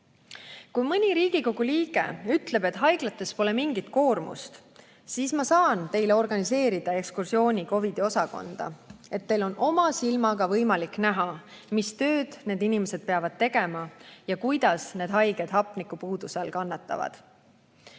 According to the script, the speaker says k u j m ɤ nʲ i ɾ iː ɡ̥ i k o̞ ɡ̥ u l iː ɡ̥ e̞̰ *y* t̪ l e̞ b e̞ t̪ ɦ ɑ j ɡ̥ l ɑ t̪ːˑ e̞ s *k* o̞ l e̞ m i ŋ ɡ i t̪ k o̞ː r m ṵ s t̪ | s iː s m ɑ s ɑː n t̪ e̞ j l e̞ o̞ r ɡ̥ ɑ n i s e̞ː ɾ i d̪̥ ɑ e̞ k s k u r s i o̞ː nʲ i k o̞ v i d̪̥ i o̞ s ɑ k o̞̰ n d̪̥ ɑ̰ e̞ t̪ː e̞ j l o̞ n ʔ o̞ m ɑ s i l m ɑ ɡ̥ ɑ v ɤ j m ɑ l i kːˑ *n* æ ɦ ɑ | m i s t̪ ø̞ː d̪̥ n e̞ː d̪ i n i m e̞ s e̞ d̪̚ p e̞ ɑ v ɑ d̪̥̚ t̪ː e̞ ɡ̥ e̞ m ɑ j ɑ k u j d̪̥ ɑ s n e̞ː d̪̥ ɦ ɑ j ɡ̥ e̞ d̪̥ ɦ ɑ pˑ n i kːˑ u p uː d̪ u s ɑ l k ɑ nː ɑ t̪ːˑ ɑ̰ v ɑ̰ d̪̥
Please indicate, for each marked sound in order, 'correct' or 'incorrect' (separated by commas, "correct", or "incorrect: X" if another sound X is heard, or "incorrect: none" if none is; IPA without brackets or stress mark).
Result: correct, incorrect: p, correct